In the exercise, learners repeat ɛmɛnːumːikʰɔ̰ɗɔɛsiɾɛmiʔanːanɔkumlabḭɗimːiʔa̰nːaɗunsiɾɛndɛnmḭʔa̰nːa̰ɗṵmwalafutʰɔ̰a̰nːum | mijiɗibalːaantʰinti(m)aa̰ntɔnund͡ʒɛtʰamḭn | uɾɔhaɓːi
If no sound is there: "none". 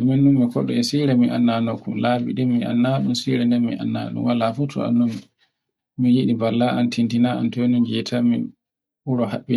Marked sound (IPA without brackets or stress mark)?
n